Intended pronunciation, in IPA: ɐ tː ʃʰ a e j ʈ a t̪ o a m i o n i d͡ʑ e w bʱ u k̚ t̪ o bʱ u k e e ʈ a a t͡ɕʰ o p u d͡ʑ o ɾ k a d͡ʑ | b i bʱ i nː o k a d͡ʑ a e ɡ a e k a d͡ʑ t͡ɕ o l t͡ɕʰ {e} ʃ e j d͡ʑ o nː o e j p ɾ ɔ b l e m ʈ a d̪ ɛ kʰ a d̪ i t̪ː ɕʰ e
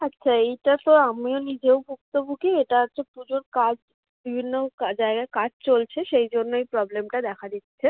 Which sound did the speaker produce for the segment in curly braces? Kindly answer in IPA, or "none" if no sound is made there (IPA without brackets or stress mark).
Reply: e